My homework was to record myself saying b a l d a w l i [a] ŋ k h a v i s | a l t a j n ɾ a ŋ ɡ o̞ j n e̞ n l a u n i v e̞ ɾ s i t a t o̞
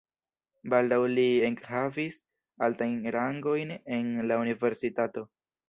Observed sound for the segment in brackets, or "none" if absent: e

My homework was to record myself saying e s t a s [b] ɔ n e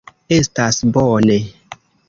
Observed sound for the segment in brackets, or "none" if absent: b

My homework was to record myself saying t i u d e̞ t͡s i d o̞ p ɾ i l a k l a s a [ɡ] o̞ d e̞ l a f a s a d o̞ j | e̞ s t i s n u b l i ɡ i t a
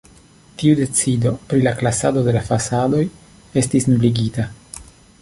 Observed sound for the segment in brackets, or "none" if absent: d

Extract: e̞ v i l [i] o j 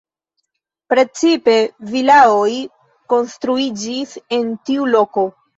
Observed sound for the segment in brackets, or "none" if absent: a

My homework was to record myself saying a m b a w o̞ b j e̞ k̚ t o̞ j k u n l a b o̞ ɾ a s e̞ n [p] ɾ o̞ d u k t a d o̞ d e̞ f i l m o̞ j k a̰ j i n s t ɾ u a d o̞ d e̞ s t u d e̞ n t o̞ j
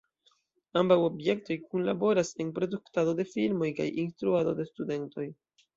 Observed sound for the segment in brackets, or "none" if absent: p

